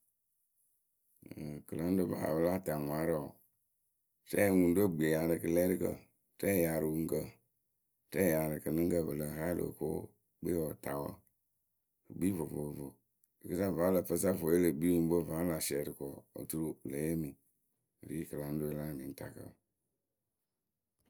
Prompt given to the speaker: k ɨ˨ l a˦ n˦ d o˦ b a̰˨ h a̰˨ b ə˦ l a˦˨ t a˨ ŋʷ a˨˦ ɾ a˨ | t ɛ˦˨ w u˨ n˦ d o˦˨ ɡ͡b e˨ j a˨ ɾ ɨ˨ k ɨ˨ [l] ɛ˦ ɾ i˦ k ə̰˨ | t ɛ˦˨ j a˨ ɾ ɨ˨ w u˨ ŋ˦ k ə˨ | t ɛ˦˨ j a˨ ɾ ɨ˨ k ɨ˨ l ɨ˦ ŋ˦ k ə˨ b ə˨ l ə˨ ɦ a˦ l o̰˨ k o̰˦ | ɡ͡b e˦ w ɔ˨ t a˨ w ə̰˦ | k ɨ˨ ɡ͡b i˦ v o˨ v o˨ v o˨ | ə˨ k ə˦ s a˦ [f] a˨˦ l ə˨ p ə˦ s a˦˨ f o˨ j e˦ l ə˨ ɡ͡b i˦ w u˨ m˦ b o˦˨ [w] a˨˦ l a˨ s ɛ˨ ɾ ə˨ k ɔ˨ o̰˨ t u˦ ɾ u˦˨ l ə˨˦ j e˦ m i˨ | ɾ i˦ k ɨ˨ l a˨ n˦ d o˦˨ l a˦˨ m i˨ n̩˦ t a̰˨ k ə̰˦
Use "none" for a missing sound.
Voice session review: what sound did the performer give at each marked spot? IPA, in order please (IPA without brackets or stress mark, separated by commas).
l, v, v